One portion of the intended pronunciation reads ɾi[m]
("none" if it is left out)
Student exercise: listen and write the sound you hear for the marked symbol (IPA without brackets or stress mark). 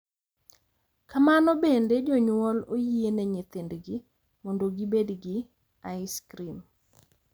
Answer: m